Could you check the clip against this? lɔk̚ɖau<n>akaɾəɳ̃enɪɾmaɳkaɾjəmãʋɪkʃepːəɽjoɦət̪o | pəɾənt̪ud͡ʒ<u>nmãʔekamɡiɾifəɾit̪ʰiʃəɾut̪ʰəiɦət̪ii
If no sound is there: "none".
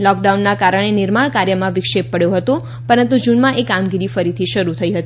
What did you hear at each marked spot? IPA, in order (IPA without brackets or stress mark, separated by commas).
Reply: nː, u